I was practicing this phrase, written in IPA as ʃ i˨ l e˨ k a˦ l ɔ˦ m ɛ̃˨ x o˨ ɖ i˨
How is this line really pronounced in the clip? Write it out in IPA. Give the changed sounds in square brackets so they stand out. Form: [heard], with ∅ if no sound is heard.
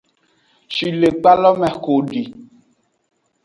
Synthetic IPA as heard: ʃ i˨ l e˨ [k͡p] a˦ l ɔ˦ m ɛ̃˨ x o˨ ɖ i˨